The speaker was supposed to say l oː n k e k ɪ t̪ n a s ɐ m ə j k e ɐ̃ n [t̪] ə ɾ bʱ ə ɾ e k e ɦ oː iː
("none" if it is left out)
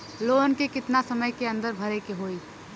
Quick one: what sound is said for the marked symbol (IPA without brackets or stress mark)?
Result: d̪